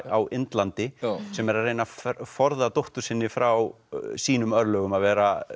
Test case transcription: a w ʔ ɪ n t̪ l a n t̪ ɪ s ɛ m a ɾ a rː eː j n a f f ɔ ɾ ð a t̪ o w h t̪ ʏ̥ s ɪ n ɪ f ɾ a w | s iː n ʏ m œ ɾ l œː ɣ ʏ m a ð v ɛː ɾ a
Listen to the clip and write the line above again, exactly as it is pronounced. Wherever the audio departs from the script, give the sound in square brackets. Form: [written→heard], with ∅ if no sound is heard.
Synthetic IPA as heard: a w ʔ ɪ n t̪ l a n t̪ ɪ s ɛ m [a→ɛ] ɾ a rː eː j n a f f ɔ ɾ ð a t̪ o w h t̪ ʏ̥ s ɪ [n→nː] ɪ f ɾ a w | s iː n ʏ m œ ɾ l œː ɣ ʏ m a ð v ɛː ɾ a